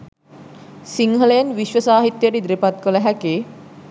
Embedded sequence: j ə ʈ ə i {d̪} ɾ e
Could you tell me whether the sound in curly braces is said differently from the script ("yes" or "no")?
no